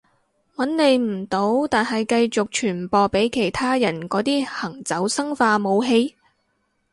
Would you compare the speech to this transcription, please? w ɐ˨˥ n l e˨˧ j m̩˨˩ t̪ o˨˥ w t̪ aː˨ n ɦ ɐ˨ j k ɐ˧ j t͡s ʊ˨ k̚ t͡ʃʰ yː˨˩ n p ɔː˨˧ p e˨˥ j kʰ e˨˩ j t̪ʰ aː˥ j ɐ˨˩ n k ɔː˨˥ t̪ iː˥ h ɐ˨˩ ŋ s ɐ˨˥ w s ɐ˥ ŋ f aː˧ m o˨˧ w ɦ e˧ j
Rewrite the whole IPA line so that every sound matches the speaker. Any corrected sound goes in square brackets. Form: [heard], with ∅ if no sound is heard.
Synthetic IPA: w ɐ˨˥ n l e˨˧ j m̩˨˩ t̪ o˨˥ w t̪ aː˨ n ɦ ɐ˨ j k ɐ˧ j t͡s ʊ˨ k̚ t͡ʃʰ yː˨˩ n p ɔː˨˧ p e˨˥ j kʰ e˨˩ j t̪ʰ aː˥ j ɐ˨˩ n k ɔː˨˥ t̪ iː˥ h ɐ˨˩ ŋ [t͡s] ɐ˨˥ w s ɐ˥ ŋ f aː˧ m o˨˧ w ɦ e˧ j

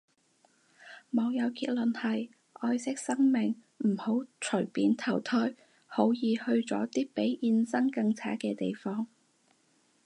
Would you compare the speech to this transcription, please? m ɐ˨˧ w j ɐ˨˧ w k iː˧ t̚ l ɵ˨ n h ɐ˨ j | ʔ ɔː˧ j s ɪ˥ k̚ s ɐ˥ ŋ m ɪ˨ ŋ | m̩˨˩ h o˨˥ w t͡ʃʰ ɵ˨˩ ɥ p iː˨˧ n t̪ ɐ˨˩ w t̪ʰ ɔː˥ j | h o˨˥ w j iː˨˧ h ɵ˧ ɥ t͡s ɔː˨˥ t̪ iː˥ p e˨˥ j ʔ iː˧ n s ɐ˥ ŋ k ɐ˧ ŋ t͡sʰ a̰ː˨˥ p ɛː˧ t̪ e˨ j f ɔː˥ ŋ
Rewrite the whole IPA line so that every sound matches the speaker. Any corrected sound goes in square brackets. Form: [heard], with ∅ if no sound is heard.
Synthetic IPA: m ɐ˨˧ w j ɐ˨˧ w k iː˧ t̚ l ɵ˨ n h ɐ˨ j | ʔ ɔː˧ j s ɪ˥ k̚ s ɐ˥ ŋ m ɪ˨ ŋ | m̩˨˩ h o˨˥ w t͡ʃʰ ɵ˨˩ ɥ p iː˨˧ n [t̪ʰ] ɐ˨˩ w t̪ʰ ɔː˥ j | h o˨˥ w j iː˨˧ h ɵ˧ ɥ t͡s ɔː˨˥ t̪ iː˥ p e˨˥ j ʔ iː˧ n s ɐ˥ ŋ k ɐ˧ ŋ t͡sʰ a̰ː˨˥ [k] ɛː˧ t̪ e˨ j f ɔː˥ ŋ

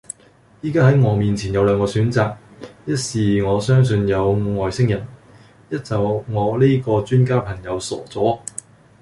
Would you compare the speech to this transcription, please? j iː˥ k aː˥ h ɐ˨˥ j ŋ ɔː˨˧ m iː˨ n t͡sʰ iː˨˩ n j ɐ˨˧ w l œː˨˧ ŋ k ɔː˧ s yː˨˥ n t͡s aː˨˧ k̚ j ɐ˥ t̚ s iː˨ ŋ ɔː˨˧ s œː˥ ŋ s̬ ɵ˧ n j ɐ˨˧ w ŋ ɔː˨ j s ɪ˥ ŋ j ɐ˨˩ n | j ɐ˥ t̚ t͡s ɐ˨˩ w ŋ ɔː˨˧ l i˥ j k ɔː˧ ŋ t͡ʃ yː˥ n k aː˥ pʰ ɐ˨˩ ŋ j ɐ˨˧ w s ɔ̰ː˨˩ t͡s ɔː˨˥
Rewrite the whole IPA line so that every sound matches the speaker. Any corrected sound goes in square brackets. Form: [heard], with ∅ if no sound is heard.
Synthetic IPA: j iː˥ k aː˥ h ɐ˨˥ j ŋ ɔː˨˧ m iː˨ n t͡sʰ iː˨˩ n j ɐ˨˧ w l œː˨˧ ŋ k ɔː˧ s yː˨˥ n t͡s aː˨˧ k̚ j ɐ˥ t̚ s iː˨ ŋ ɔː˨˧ s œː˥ ŋ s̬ ɵ˧ n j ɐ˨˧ w ŋ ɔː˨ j s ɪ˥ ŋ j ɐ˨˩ n | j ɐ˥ t̚ t͡s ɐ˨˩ w ŋ ɔː˨˧ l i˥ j k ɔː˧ [∅] t͡ʃ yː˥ n k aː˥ pʰ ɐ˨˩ ŋ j ɐ˨˧ w s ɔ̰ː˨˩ t͡s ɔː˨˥

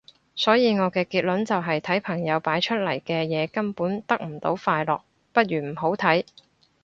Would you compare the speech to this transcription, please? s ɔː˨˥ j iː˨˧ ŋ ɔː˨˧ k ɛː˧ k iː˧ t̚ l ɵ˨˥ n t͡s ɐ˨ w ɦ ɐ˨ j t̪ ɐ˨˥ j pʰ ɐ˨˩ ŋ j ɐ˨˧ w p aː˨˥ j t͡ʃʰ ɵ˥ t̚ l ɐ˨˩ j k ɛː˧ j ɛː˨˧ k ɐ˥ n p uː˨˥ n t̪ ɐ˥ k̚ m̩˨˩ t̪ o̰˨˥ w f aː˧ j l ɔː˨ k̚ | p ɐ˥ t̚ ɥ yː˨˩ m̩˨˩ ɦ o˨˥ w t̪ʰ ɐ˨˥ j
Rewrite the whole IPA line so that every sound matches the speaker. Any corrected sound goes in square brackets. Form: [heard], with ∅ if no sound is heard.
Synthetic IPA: s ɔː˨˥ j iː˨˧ ŋ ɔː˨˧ k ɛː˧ k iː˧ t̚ l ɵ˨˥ n t͡s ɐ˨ w ɦ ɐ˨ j [t̪ʰ] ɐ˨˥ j pʰ ɐ˨˩ ŋ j ɐ˨˧ w p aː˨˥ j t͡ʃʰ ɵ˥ t̚ l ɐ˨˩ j k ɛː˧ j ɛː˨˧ k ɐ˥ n p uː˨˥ n t̪ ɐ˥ k̚ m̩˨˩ t̪ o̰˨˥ w f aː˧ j l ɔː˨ k̚ | p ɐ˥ t̚ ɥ yː˨˩ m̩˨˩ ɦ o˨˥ w t̪ʰ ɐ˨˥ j

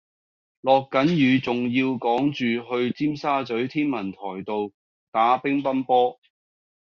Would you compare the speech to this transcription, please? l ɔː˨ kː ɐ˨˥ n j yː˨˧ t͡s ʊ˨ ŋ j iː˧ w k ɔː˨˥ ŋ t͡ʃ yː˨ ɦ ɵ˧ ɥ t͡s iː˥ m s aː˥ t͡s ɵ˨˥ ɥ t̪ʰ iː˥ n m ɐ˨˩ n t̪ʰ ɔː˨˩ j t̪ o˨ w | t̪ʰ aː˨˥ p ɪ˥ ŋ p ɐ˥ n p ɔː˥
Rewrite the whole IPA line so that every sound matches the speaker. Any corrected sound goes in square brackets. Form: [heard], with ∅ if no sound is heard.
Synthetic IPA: l ɔː˨ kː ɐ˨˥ n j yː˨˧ t͡s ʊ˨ ŋ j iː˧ w k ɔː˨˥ ŋ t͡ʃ yː˨ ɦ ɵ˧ ɥ t͡s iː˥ m s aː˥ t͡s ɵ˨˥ ɥ t̪ʰ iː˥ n m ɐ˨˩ n t̪ʰ ɔː˨˩ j t̪ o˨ w | [t̪] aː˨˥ p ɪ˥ ŋ p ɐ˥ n p ɔː˥

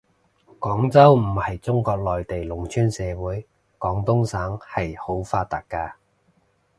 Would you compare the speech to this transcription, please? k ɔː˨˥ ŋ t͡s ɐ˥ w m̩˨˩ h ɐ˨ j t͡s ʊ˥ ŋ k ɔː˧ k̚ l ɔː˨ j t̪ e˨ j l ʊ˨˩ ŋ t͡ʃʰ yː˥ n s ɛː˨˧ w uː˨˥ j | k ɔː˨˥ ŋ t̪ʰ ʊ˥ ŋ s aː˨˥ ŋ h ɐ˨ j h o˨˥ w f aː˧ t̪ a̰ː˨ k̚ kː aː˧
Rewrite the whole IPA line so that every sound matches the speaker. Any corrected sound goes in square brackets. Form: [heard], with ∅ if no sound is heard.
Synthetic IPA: k ɔː˨˥ ŋ t͡s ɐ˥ w m̩˨˩ h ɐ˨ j t͡s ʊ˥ ŋ k ɔː˧ k̚ l ɔː˨ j t̪ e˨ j l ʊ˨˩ ŋ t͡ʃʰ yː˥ n s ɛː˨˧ w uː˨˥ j | k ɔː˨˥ ŋ [t̪] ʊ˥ ŋ s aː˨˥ ŋ h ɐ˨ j h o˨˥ w f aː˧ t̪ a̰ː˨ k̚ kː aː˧

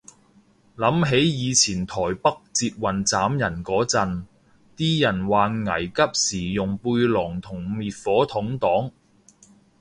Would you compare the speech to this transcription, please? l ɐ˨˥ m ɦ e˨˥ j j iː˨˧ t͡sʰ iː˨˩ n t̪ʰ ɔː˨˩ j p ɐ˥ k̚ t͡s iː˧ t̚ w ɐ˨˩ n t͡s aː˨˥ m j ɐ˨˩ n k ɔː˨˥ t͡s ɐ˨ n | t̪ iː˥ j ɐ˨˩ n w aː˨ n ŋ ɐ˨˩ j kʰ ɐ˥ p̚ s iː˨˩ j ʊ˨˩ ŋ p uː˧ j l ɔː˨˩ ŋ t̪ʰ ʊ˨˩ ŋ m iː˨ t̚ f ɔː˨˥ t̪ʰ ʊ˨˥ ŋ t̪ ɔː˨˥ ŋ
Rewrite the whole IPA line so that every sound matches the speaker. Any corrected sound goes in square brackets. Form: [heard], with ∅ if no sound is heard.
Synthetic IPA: l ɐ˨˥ m ɦ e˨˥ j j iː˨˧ t͡sʰ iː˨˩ n t̪ʰ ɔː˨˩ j p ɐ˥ k̚ t͡s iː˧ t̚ w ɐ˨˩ n t͡s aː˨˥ m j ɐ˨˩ n k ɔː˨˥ t͡s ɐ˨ n | t̪ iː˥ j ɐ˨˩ n w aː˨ n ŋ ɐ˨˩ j [k] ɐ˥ p̚ s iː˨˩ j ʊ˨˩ ŋ p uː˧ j l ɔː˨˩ ŋ t̪ʰ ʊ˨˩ ŋ m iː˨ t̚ f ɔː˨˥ t̪ʰ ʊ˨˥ ŋ t̪ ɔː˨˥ ŋ

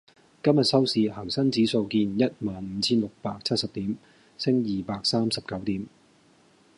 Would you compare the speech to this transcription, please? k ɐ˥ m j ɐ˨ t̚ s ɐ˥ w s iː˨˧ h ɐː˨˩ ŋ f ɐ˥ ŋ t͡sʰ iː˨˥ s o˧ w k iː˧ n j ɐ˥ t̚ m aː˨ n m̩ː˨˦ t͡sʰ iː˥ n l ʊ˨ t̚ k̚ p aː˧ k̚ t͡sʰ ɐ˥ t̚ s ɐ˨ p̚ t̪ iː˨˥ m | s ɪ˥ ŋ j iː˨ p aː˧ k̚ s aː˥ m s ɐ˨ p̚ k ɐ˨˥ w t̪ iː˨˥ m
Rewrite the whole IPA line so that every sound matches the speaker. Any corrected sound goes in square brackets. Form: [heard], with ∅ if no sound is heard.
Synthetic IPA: k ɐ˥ m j ɐ˨ t̚ s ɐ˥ w s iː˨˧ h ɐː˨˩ ŋ [s] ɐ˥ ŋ [t͡s] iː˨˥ s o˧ w k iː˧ n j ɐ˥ t̚ m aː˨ n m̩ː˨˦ t͡sʰ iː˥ n l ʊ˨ [∅] k̚ p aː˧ k̚ t͡sʰ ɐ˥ t̚ s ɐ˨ p̚ t̪ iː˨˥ m | s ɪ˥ ŋ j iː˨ p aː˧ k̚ s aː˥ m s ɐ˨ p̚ k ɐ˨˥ w t̪ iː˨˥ m

